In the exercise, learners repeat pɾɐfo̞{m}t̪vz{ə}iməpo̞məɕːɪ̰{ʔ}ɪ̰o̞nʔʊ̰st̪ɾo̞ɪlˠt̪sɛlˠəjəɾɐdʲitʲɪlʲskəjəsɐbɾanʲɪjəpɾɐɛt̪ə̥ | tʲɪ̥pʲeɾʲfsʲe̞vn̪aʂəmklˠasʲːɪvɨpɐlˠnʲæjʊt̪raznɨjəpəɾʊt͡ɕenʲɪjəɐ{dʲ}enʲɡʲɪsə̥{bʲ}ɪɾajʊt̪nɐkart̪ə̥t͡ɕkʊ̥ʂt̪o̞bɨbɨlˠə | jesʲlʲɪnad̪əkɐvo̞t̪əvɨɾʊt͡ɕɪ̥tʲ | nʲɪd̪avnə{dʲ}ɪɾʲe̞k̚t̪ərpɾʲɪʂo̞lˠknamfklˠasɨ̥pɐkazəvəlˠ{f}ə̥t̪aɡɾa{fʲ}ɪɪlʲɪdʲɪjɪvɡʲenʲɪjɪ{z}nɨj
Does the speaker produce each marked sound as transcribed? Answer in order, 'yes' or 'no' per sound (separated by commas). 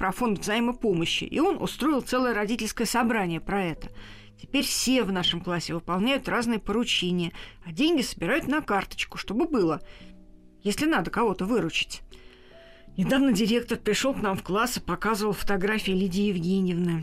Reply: no, no, yes, yes, yes, yes, yes, yes, no